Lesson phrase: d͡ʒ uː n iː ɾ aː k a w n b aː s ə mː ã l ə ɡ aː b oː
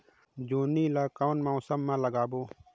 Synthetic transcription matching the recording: d͡ʒ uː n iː l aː k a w n m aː s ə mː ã l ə ɡ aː b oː